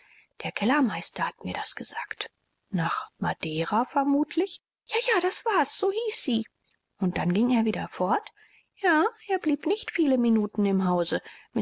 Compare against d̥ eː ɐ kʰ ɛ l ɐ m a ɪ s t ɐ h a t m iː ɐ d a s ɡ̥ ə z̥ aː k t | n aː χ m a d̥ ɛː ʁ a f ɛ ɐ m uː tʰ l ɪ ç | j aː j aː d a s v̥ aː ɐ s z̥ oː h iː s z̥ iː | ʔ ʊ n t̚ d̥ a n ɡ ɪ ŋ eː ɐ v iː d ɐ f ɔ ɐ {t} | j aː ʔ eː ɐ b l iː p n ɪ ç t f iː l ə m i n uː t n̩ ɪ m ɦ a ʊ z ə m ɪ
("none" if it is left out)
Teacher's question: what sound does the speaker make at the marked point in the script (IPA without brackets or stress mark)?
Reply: t